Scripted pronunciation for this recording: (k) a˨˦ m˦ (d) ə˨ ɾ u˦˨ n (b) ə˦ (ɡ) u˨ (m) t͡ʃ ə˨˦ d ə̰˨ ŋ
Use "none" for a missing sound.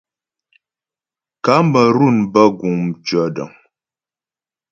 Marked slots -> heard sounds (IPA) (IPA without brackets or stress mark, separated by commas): k, b, b, ɡ, m